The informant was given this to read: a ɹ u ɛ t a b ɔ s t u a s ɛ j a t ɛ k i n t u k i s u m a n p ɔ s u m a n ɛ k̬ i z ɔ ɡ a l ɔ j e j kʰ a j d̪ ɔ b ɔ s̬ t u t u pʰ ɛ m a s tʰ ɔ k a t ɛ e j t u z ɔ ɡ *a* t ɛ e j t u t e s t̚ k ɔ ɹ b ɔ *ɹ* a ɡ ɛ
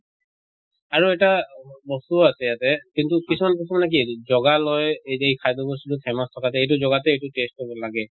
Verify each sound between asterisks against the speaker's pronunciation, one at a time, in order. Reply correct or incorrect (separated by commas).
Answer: correct, incorrect